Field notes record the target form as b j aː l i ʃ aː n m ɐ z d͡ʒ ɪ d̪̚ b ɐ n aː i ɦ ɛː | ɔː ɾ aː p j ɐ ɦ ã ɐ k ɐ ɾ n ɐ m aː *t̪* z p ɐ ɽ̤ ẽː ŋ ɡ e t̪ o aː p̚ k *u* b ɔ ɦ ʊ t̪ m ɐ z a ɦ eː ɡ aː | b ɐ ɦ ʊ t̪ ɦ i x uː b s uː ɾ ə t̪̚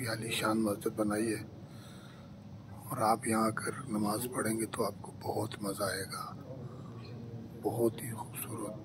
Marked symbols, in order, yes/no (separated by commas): no, no